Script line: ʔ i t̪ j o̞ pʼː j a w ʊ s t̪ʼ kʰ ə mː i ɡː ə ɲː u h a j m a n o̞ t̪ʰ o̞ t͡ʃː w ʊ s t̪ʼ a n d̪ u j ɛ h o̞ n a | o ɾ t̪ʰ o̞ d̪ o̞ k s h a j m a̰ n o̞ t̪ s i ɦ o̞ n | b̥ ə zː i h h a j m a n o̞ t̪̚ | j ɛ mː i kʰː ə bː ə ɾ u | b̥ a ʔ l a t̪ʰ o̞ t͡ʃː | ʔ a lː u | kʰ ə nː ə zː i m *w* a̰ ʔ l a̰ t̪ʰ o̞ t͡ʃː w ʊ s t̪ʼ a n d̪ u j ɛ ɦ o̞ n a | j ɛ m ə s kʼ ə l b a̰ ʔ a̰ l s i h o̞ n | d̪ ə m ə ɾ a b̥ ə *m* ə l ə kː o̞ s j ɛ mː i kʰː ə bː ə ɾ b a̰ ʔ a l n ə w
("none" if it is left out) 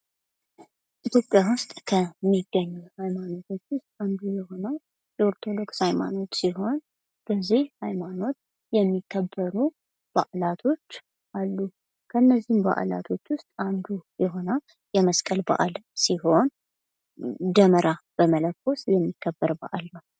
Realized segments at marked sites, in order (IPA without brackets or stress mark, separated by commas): b, m